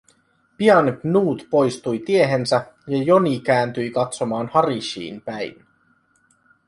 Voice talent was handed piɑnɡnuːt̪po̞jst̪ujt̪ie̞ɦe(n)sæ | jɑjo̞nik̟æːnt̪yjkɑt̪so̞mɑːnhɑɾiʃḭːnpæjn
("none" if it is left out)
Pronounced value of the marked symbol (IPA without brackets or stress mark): n